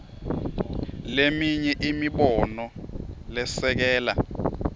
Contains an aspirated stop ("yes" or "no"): no